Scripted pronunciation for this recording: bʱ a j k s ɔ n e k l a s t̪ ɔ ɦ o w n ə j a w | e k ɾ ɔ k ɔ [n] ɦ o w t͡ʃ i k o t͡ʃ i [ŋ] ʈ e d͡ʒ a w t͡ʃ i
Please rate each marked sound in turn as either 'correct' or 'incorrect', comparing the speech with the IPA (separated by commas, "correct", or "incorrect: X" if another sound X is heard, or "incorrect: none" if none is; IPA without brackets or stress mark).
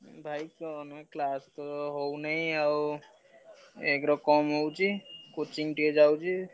incorrect: m, correct